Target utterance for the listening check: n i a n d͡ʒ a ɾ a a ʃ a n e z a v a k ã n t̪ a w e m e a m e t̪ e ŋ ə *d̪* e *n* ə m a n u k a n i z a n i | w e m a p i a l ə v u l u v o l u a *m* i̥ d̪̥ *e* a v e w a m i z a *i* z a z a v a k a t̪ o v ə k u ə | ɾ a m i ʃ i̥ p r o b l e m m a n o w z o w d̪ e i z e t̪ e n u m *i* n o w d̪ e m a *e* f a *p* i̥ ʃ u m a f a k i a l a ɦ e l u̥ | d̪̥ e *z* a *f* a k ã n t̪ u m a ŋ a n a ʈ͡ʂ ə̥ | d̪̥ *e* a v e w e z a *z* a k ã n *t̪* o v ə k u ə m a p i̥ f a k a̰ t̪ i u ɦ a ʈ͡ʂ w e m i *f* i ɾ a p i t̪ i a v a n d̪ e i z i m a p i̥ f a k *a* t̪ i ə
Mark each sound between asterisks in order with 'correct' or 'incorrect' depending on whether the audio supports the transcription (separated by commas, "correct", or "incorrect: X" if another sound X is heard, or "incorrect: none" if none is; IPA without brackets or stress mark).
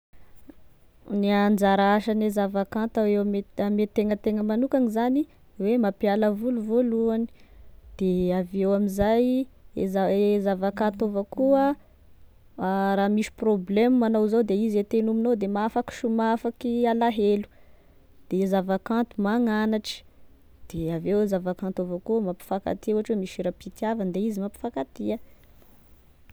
incorrect: t̪, incorrect: ŋ, incorrect: n, correct, incorrect: j, correct, incorrect: a, incorrect: k, correct, incorrect: v, correct, incorrect: v, correct, incorrect: ʃ, correct